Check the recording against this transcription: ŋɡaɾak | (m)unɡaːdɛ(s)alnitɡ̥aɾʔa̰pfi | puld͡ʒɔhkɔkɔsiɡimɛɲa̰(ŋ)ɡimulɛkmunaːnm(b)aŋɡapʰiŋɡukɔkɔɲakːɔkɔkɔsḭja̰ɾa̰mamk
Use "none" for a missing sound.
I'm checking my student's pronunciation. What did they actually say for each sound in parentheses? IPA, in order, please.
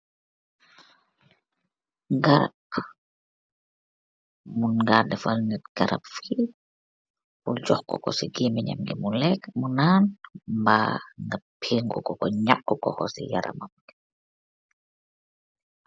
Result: m, f, m, b

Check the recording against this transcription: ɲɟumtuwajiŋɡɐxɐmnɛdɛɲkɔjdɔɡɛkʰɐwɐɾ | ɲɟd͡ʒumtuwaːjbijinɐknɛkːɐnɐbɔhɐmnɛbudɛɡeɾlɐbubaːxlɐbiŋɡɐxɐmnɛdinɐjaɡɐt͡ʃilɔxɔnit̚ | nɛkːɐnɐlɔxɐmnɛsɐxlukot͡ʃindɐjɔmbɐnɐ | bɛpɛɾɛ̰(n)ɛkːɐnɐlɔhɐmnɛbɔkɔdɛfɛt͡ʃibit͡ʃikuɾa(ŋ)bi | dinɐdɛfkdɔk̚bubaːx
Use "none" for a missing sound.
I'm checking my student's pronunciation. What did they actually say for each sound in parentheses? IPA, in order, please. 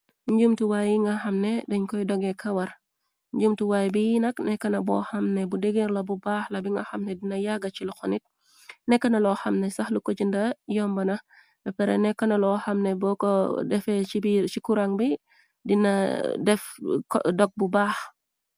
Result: n, ŋ

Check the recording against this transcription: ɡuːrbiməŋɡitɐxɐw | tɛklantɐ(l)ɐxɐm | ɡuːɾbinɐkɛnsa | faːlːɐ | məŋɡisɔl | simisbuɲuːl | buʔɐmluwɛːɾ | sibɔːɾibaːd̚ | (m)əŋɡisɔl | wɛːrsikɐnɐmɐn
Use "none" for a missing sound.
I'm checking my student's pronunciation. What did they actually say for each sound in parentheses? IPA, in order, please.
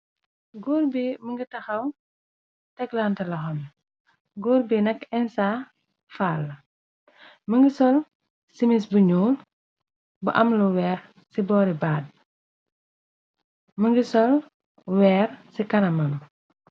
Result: l, m

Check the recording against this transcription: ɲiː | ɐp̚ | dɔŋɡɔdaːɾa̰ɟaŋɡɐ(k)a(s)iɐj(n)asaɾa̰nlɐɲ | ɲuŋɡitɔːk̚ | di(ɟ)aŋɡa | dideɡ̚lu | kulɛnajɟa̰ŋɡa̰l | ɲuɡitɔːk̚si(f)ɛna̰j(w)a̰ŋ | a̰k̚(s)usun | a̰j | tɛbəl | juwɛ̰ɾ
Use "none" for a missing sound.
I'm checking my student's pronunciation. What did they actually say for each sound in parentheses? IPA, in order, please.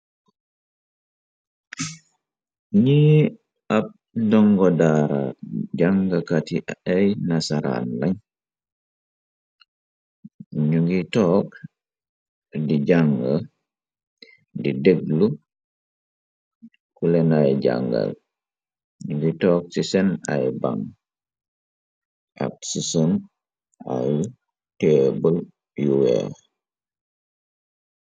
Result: k, t, n, ɟ, s, b, s

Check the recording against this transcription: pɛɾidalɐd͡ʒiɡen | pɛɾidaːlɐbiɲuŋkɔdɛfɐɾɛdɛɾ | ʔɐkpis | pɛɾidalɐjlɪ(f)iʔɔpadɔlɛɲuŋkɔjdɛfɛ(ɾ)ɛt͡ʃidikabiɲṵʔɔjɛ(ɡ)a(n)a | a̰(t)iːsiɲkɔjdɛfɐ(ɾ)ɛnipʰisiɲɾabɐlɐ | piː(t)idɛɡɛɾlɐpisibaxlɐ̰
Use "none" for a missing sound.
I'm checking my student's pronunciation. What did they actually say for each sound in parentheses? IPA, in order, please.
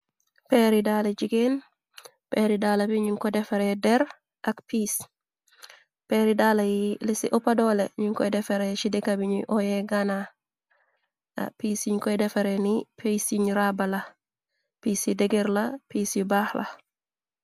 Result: s, ɾ, ɡ, n, p, ɾ, s

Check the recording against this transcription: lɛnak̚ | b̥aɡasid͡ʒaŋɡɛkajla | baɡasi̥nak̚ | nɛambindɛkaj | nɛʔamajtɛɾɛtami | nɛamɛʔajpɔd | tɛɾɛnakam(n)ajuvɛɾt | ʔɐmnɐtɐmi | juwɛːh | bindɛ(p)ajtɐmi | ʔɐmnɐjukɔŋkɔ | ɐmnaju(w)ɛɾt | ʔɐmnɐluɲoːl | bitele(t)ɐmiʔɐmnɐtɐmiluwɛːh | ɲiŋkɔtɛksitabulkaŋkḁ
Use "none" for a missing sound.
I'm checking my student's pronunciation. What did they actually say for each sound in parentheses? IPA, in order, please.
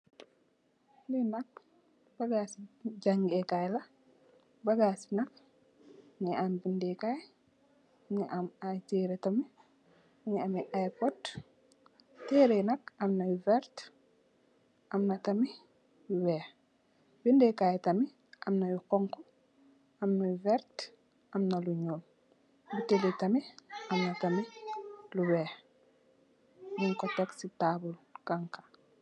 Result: n, k, v, t

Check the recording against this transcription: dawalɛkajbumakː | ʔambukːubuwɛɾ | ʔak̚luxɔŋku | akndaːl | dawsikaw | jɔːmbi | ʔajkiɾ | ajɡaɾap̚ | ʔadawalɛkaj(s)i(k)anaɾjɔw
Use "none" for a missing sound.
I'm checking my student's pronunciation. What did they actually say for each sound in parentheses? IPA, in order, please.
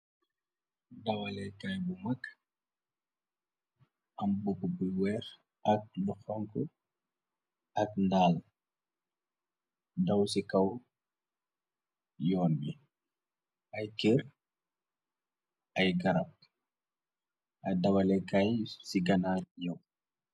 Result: s, ɡ

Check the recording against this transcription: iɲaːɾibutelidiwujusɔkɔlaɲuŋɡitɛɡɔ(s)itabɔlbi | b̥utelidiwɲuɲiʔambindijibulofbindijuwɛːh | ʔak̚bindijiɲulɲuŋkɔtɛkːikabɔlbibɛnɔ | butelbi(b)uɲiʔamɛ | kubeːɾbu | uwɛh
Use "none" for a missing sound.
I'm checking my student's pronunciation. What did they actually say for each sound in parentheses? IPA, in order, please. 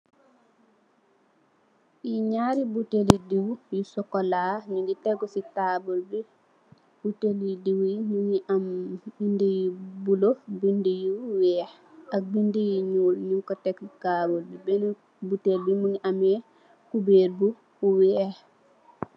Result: s, m

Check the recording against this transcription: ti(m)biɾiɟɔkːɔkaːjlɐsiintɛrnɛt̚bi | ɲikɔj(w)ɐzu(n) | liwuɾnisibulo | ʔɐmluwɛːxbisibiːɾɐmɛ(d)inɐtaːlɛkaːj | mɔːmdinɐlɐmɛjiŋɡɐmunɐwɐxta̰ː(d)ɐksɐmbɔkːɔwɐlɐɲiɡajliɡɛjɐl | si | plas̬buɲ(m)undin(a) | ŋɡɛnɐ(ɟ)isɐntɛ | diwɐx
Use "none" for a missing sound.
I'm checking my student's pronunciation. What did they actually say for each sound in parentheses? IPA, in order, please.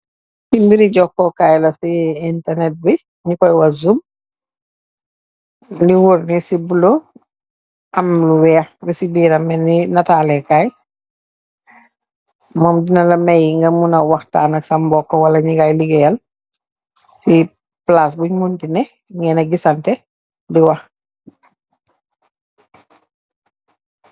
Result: m, w, m, n, n, m, ɛ, ɡ

